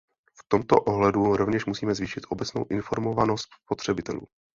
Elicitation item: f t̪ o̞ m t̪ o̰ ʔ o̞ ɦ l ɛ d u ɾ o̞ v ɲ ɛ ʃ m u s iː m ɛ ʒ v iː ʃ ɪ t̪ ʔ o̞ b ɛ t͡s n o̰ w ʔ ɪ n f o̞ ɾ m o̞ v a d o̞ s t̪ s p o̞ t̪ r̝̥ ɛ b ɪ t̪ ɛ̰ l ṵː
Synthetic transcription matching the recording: f t̪ o̞ m t̪ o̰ ʔ o̞ ɦ l ɛ d u ɾ o̞ v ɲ ɛ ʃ m u s iː m ɛ z v iː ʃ ɪ t̪ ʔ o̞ b ɛ t͡s n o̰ w ʔ ɪ n f o̞ ɾ m o̞ v a n o̞ s t̪ s p o̞ t̪ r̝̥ ɛ b ɪ t̪ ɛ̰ l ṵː